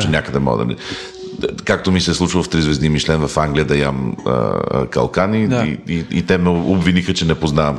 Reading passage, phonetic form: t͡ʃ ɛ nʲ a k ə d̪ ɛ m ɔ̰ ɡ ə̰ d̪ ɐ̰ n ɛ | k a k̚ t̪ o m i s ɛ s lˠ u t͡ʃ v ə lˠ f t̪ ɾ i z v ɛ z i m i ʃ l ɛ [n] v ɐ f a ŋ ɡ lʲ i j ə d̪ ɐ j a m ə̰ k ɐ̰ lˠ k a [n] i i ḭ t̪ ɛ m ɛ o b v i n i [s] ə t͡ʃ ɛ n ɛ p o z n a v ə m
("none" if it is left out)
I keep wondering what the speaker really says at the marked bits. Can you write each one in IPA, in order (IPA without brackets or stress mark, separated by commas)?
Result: n, n, x